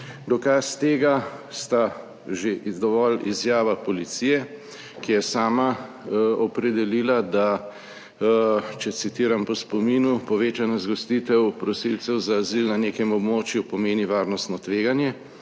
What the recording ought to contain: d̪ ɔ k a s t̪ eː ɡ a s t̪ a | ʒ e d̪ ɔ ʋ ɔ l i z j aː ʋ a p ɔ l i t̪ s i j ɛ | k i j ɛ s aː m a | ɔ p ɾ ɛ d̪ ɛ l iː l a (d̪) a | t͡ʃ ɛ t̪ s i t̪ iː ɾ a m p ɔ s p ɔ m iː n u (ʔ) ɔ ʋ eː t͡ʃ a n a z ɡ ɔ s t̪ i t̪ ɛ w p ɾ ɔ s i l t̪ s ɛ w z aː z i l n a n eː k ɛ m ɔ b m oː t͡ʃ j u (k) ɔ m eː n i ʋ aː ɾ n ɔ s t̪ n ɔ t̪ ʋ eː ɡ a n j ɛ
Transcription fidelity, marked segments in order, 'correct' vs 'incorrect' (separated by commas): correct, incorrect, incorrect